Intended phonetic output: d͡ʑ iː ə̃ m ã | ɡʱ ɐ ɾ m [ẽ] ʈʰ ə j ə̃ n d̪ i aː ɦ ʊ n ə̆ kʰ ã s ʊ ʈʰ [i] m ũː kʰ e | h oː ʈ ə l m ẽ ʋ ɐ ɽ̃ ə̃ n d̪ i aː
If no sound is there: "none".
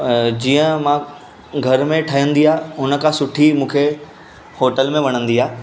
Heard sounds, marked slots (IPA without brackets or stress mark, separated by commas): ẽ, i